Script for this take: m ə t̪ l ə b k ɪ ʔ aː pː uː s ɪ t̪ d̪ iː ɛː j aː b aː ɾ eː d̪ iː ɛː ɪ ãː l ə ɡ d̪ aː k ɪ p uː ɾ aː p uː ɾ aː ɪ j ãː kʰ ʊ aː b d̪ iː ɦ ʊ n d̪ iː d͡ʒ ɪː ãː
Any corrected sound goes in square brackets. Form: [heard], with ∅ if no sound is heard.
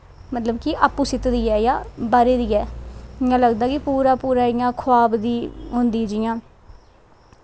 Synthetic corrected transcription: m ə t̪ l ə b k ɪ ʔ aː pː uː s ɪ t̪ d̪ iː ɛː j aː b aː ɾ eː d̪ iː ɛː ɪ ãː l ə ɡ d̪ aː k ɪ p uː ɾ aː p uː ɾ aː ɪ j ãː kʰ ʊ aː b d̪ iː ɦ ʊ n d̪ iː d͡ʒ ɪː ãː

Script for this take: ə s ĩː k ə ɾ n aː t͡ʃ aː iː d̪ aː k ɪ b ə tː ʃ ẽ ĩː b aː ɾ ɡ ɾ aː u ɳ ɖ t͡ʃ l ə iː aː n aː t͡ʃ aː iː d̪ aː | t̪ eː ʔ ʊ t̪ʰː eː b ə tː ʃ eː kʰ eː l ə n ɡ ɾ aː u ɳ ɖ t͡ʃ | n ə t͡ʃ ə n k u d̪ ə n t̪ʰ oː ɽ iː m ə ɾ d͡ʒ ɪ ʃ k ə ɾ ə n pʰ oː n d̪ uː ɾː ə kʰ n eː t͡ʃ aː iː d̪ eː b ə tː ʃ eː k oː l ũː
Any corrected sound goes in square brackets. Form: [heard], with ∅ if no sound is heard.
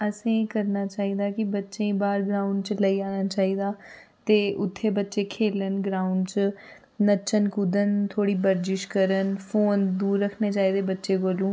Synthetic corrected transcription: ə s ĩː k ə ɾ n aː t͡ʃ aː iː d̪ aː k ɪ b ə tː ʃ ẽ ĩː b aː ɾ ɡ ɾ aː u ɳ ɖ t͡ʃ l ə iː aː n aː t͡ʃ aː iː d̪ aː | t̪ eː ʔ ʊ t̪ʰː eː b ə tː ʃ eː kʰ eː l ə n ɡ ɾ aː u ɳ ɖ t͡ʃ | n ə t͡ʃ ə n k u d̪ ə n t̪ʰ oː ɽ iː [b] ə ɾ d͡ʒ ɪ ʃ k ə ɾ ə n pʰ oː n d̪ uː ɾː ə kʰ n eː t͡ʃ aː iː d̪ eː b ə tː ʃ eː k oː l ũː

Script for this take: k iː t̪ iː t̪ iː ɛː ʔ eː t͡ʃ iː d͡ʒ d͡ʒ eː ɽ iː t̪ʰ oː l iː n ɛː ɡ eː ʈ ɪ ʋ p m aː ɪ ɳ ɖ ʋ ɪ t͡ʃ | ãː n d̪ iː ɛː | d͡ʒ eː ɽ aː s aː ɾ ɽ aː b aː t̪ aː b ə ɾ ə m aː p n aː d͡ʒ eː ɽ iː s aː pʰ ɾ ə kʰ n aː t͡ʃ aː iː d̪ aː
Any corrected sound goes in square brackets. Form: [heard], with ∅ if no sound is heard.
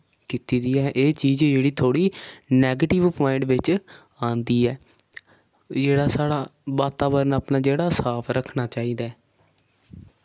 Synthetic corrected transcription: k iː t̪ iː [d̪] iː ɛː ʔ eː t͡ʃ iː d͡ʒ d͡ʒ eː ɽ iː t̪ʰ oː [ɽ] iː n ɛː ɡ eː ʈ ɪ ʋ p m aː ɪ ɳ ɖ ʋ ɪ t͡ʃ | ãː n d̪ iː ɛː | d͡ʒ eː ɽ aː s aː [∅] ɽ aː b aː t̪ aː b ə ɾ ə [n] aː p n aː d͡ʒ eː ɽ [aː] s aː pʰ ɾ ə kʰ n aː t͡ʃ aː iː d̪ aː

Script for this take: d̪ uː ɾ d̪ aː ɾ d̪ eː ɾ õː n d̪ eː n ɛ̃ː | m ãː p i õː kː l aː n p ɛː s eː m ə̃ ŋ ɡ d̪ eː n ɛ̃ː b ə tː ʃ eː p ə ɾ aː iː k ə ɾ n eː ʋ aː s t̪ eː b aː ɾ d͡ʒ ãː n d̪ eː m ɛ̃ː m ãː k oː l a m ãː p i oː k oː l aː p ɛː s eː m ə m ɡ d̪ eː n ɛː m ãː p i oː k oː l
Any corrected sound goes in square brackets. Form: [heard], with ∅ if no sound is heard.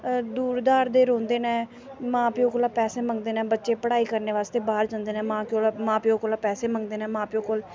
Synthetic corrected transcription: d̪ uː ɾ d̪ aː ɾ d̪ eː ɾ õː n d̪ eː n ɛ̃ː | m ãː p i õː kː l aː [∅] p ɛː s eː m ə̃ ŋ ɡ d̪ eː n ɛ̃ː b ə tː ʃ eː p ə [ɽ] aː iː k ə ɾ n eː ʋ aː s t̪ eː b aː ɾ d͡ʒ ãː n d̪ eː [n] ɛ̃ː m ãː k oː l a m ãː p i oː k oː l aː p ɛː s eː m ə [ŋ] ɡ d̪ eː n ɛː m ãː p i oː k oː l

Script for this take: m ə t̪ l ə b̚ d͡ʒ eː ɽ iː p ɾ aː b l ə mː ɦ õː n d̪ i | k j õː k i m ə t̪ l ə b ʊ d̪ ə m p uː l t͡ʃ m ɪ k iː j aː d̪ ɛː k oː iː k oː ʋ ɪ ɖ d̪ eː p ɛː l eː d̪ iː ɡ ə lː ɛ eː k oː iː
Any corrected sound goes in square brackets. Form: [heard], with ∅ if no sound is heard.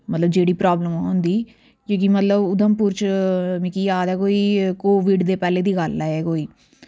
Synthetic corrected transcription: m ə t̪ l ə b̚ d͡ʒ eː ɽ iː p ɾ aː b l ə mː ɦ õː n d̪ [iː] | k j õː k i m ə t̪ l ə b ʊ d̪ ə m p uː [ɾ] t͡ʃ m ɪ k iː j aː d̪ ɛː k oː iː k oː ʋ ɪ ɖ d̪ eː p ɛː l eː d̪ iː ɡ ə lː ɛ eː k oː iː

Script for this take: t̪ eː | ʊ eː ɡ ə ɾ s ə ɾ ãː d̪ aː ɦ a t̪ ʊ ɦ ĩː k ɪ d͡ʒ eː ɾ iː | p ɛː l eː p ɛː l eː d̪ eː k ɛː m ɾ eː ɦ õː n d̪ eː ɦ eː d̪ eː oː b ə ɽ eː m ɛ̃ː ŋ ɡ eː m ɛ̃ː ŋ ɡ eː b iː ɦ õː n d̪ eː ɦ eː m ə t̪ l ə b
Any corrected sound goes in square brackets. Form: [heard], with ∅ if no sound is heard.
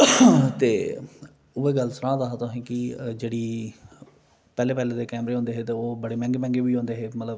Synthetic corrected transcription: t̪ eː | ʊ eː ɡ ə [l] s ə ɾ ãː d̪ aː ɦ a t̪ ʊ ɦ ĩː k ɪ d͡ʒ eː [ɽ] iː | p ɛː l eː p ɛː l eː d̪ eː k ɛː m ɾ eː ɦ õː n d̪ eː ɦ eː [t̪] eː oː b ə ɽ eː m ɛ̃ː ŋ ɡ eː m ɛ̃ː ŋ ɡ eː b iː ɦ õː n d̪ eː ɦ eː m ə t̪ l ə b

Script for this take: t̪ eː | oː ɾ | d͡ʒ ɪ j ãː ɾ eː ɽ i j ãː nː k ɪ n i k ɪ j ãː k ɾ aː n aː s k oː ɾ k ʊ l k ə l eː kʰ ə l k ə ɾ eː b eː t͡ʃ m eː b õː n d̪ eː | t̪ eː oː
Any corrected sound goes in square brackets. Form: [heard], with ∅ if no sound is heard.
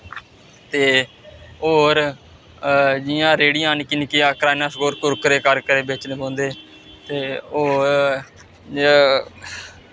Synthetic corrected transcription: t̪ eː | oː ɾ | d͡ʒ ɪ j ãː ɾ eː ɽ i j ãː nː k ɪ n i k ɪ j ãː k ɾ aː n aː s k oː ɾ k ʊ [ɾ] k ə [ɾ] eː [k] ə [ɾ] k ə ɾ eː b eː t͡ʃ [n] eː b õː n d̪ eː | t̪ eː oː

